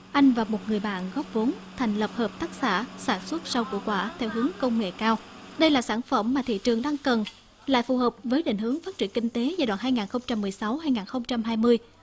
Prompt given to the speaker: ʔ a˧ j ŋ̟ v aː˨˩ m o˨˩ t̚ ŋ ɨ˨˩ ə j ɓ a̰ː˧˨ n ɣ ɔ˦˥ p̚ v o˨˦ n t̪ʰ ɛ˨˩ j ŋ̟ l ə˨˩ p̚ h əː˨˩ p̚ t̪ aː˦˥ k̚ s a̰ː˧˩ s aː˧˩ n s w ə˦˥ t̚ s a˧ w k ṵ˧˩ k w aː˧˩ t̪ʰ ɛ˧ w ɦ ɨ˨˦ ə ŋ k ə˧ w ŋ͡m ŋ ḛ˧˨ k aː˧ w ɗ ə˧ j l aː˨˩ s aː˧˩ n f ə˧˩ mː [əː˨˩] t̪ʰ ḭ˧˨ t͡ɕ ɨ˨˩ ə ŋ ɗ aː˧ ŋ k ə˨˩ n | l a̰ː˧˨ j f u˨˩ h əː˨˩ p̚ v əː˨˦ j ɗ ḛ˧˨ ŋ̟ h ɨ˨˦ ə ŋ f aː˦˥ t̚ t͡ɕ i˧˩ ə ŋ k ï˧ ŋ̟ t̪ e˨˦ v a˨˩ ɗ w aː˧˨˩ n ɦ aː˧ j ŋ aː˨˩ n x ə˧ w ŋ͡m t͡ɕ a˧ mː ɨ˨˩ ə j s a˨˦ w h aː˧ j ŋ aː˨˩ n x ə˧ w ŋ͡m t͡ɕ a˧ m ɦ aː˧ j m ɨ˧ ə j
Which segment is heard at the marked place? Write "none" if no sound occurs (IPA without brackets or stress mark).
aː˨˩